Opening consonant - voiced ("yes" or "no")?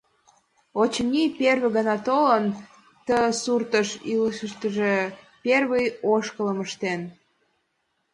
no